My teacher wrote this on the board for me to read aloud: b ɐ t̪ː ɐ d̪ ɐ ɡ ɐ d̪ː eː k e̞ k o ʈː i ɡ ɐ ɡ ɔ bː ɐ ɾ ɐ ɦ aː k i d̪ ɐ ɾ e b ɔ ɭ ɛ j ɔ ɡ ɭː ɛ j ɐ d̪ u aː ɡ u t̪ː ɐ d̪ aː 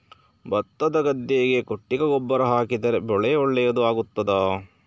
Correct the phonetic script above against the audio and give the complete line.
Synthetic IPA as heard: b ɐ t̪ː ɐ d̪ ɐ ɡ ɐ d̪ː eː ɡ e̞ k o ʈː i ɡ ɐ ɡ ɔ bː ɐ ɾ ɐ ɦ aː k i d̪ ɐ ɾ e b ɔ ɭ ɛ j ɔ ɭː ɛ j ɐ d̪ u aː ɡ u t̪ː ɐ d̪ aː